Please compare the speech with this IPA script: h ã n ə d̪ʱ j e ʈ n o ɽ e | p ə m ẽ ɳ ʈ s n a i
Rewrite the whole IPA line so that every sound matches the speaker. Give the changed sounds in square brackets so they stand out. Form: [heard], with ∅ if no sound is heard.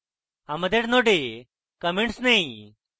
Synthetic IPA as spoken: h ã [m] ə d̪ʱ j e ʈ n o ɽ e | [k] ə m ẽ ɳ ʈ s n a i